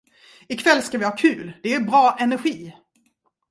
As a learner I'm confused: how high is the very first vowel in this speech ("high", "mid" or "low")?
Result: high